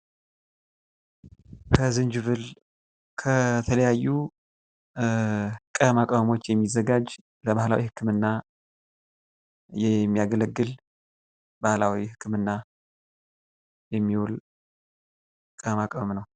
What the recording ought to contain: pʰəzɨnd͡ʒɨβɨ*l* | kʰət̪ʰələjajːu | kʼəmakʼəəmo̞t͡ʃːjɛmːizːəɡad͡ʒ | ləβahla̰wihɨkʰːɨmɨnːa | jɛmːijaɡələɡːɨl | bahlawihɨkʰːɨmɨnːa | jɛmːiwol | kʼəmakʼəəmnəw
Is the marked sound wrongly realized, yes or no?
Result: no